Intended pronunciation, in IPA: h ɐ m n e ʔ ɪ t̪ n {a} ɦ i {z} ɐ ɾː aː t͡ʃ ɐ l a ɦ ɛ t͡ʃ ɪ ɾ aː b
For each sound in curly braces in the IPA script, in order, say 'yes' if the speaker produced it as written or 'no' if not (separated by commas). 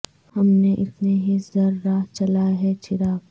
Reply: no, yes